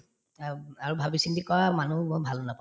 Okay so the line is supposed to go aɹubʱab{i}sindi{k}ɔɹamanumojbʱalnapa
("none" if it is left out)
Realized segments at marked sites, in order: i, k

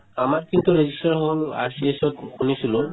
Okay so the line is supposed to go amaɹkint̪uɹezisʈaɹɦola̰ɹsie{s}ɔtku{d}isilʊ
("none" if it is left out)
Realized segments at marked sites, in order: s, n

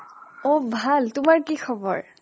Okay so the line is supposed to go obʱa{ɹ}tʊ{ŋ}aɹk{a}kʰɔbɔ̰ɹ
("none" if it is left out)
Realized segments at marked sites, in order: l, m, i

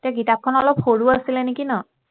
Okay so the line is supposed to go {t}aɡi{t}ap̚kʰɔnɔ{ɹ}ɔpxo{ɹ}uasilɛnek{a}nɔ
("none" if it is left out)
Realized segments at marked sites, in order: t, t, l, ɹ, i

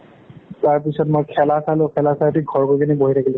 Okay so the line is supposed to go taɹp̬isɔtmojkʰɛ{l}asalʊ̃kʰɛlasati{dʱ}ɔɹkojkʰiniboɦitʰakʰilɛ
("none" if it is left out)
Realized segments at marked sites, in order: l, ɡʱ

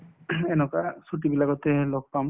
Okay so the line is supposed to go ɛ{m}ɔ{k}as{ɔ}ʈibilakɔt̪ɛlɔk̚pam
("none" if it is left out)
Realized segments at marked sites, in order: n, k, u

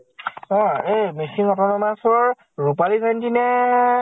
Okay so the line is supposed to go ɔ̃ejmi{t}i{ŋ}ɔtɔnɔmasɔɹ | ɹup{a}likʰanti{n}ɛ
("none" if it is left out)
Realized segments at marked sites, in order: s, ŋ, a, n

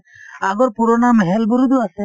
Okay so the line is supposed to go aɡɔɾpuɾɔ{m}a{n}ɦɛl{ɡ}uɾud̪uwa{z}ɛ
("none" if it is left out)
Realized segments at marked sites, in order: n, m, b, s

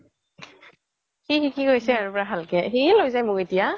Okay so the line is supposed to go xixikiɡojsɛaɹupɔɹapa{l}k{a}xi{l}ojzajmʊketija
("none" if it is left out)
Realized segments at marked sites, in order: l, ɛ, l

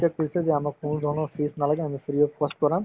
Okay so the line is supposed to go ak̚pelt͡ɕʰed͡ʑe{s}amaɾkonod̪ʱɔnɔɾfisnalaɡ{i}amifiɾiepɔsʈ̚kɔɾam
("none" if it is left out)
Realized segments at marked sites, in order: none, e

